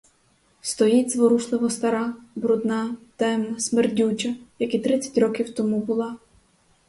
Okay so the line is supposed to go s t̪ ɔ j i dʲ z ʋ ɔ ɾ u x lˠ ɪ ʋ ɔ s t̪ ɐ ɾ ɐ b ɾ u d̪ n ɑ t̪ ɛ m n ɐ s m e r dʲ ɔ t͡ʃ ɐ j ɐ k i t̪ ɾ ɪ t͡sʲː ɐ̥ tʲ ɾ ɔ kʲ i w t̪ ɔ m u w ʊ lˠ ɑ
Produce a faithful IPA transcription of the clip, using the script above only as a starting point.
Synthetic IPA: s t̪ ɔ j i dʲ z ʋ ɔ ɾ u ʃ lˠ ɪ ʋ ɔ s t̪ ɐ ɾ ɑ b ɾ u d̪ n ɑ t̪ ɛ m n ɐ s m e r dʲ u t͡ʃ ɐ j ɐ k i t̪ ɾ ɪ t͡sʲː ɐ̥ tʲ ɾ ɔ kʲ i w t̪ ɔ m u b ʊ lˠ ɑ